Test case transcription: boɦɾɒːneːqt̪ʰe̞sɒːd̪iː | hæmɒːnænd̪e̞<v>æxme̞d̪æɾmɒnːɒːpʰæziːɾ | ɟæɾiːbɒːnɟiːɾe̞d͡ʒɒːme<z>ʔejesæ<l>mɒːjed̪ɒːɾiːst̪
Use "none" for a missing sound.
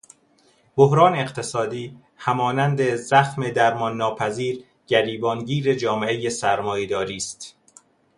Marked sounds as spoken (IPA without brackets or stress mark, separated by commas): z, none, ɾ